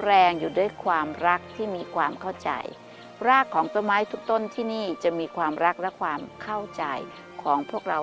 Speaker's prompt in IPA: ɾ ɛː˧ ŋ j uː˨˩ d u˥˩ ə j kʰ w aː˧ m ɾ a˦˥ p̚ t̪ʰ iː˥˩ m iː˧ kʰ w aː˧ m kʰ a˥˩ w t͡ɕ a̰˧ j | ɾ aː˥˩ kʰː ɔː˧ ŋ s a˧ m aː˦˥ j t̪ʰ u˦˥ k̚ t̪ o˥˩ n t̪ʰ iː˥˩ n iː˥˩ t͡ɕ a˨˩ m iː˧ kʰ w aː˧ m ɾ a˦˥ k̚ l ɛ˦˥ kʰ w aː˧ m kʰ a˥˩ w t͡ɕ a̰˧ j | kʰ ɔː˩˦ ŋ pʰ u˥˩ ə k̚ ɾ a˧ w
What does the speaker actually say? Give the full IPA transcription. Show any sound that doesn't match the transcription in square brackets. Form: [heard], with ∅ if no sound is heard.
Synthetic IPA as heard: ɾ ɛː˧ ŋ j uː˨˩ d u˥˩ ə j kʰ w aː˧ m ɾ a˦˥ [k̚] t̪ʰ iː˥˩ m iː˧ kʰ w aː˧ m kʰ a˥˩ w t͡ɕ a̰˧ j | ɾ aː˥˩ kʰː [ɔː˩˦] ŋ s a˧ m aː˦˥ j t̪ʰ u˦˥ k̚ t̪ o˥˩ n t̪ʰ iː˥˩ n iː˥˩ t͡ɕ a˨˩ m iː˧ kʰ w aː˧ m ɾ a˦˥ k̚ l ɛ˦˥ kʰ w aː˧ m kʰ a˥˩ w t͡ɕ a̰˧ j | kʰ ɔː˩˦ ŋ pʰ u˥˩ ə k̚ ɾ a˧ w